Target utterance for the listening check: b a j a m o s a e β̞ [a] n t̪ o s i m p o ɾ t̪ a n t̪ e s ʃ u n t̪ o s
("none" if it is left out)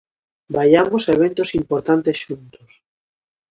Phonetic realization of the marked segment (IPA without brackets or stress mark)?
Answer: e